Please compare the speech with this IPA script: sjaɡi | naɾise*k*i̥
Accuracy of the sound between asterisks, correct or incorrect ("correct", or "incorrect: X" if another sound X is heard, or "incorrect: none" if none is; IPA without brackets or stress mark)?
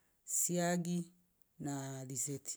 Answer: incorrect: t